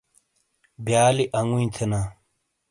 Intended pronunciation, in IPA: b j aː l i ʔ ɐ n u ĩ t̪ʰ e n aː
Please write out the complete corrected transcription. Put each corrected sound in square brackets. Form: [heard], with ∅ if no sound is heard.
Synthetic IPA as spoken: b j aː l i ʔ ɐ [ŋ] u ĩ t̪ʰ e n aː